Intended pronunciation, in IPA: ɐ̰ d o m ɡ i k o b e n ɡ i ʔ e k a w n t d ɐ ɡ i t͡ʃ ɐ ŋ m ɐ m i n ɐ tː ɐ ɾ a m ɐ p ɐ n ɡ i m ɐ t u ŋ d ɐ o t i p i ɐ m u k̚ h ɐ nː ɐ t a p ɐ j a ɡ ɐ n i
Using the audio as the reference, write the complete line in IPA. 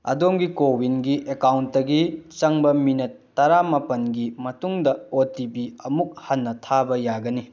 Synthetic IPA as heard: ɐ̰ d o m ɡ i k o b i n ɡ i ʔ e k a w n t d ɐ ɡ i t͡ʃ ɐ ŋ b ɐ m i n ɐ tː ɐ ɾ a m ɐ p ɐ n ɡ i m ɐ t u ŋ d ɐ o t i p i ɐ m u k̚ h ɐ nː ɐ tʰ a b ɐ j a ɡ ɐ n i

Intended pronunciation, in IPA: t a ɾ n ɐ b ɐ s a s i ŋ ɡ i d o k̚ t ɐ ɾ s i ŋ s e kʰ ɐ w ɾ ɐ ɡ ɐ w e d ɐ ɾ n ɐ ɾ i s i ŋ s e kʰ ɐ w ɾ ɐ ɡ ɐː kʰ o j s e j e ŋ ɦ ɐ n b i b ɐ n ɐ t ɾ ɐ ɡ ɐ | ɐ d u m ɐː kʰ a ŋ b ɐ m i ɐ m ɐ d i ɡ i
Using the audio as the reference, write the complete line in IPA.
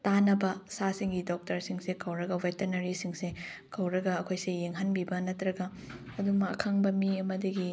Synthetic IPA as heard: t a n ɐ b ɐ s a s i ŋ ɡ i d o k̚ t ɐ ɾ s i ŋ s e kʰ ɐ w ɾ ɐ ɡ ɐ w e t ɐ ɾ n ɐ ɾ i s i ŋ s e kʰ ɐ w ɾ ɐ ɡ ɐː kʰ o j s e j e ŋ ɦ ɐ n b i b ɐ n ɐ t ɾ ɐ ɡ ɐ | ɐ d u m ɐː kʰ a ŋ b ɐ m i ɐ m ɐ d i ɡ i

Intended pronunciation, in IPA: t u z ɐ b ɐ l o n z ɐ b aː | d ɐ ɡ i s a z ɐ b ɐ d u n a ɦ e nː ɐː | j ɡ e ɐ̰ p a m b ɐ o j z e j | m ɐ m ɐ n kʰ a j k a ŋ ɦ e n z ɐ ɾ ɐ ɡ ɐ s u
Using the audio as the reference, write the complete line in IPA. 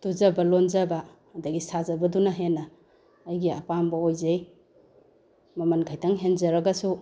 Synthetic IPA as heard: t u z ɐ b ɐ l o n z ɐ b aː | d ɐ ɡ i s a z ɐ b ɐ d u n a ɦ e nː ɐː | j ɡ i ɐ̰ p a m b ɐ o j z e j | m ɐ m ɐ n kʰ a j t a ŋ ɦ e n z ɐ ɾ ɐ ɡ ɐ s u

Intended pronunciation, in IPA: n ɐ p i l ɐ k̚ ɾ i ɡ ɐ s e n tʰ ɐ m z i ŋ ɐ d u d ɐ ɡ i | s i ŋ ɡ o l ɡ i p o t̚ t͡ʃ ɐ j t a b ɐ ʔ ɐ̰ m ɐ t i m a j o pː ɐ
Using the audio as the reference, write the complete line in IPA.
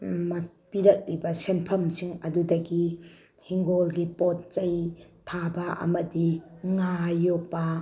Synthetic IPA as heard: m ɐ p i ɾ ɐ k̚ ɾ i b ɐ s e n pʰ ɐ m s i ŋ ɐ d u d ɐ ɡ i | h i ŋ ɡ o l ɡ i p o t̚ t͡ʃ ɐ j tʰ a b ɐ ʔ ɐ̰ m ɐ d i ŋ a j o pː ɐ

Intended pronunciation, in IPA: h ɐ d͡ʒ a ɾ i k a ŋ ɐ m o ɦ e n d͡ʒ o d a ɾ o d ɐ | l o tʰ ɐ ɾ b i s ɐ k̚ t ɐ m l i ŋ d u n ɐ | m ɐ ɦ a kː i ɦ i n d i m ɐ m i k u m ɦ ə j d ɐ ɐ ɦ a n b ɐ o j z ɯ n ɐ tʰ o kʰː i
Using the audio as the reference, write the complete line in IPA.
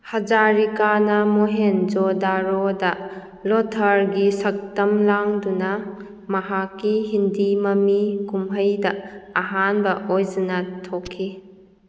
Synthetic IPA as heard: h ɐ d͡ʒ a ɾ i k a n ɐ m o ɦ e n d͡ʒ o d a ɾ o d ɐ | l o tʰ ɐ ɾ ɡ i s ɐ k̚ t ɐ m l a ŋ d u n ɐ | m ɐ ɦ a kː i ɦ i n d i m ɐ m i k u m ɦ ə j d ɐ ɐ ɦ a n b ɐ o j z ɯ n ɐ tʰ o kʰː i

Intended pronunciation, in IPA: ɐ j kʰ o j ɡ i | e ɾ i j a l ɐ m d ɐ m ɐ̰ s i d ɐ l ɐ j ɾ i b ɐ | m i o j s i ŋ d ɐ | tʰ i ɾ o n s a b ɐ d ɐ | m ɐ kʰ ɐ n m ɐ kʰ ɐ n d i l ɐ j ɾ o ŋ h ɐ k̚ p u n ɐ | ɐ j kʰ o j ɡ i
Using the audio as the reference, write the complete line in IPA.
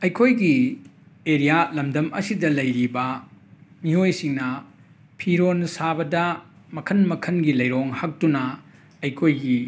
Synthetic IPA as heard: ɐ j kʰ o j ɡ i | e ɾ i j a l ɐ m d ɐ m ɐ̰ s i d ɐ l ɐ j ɾ i b ɐ | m i o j s i ŋ n ɐ | pʰ i ɾ o n s a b ɐ d ɐ | m ɐ kʰ ɐ n m ɐ kʰ ɐ n ɡ i l ɐ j ɾ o ŋ h ɐ k̚ t u n ɐ | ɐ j kʰ o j ɡ i

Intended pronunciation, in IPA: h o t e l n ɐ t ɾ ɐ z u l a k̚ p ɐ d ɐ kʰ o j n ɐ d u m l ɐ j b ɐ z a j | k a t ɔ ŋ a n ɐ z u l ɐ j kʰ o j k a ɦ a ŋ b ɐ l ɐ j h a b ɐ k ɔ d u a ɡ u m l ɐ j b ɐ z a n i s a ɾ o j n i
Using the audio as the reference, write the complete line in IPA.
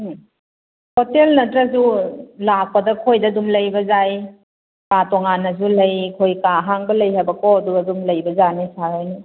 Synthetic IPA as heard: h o t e l n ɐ t ɾ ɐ z u l a k̚ p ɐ d ɐ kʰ o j d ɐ d u m l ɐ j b ɐ z a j | k a t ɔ ŋ a n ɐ z u l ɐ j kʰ o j k a ɦ a ŋ b ɐ l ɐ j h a b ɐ k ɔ d u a d u m l ɐ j b ɐ z a n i s a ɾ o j n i

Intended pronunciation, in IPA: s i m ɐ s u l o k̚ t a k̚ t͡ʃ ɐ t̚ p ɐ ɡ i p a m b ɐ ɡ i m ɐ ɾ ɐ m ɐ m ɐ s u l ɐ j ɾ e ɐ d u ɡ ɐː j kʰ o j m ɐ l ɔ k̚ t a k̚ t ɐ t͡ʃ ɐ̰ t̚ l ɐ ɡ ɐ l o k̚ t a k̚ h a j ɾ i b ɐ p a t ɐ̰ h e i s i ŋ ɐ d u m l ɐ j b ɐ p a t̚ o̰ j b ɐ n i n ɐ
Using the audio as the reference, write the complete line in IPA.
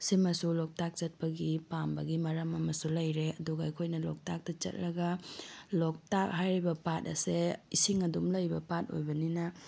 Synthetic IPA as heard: s i m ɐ s u l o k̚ t a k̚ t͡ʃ ɐ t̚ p ɐ ɡ i p a m b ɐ ɡ i m ɐ ɾ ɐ m ɐ m ɐ s u l ɐ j ɾ e ɐ d u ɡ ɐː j kʰ o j n ɐ l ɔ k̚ t a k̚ t ɐ t͡ʃ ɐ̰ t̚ l ɐ ɡ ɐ l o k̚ t a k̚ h a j ɾ i b ɐ p a t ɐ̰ s e i s i ŋ ɐ d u m l ɐ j b ɐ p a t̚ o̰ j b ɐ n i n ɐ

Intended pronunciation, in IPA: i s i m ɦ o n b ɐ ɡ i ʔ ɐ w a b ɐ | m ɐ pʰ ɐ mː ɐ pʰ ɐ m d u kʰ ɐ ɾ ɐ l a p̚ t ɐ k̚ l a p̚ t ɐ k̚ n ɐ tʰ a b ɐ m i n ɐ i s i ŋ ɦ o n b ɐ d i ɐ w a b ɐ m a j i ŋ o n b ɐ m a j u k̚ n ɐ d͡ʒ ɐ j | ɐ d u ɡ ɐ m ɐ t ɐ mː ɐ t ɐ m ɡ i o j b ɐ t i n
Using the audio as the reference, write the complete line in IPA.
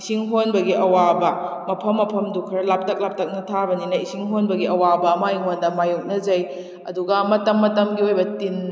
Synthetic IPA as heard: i s i ŋ ɦ o n b ɐ ɡ i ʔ ɐ w a b ɐ | m ɐ pʰ ɐ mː ɐ pʰ ɐ m d u kʰ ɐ ɾ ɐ l a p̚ t ɐ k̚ l a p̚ t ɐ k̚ n ɐ tʰ a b ɐ n i n ɐ i s i ŋ ɦ o n b ɐ ɡ i ɐ w a b ɐ m a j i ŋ o n d ɐ m a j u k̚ n ɐ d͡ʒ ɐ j | ɐ d u ɡ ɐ m ɐ t ɐ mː ɐ t ɐ m ɡ i o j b ɐ t i n

